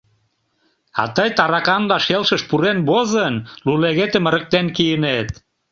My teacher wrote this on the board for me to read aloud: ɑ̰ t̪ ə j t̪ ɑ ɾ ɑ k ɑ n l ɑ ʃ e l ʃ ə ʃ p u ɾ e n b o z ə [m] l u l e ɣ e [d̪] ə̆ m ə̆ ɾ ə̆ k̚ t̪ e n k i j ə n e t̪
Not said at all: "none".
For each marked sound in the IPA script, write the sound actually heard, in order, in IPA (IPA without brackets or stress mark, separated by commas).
n, t̪